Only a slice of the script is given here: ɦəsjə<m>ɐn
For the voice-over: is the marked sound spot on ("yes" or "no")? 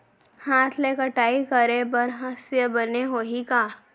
no